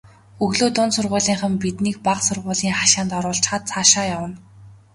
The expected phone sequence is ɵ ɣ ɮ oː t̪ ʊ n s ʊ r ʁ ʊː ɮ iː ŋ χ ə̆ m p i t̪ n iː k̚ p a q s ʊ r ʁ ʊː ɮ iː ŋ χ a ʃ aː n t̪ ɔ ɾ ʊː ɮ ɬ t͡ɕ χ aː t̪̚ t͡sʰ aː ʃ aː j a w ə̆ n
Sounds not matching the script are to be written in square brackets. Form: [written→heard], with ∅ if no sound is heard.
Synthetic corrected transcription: ɵ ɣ ɮ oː t̪ ʊ n s ʊ r ʁ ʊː ɮ iː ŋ χ ə̆ m p i t̪ n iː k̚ p a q s ʊ r ʁ ʊː ɮ iː ŋ χ a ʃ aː n t̪ ɔ ɾ ʊː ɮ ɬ t͡ɕ χ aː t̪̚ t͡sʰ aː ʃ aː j a w ə̆ n